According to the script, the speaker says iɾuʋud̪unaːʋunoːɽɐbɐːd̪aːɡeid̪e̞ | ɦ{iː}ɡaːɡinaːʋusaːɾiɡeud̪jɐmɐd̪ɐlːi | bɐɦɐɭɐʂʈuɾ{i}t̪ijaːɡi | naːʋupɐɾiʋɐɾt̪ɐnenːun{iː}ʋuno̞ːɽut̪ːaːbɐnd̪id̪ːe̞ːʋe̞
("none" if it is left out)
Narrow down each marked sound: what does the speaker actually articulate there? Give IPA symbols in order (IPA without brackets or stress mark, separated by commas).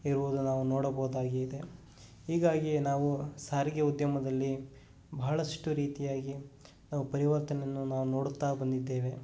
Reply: iː, iː, aː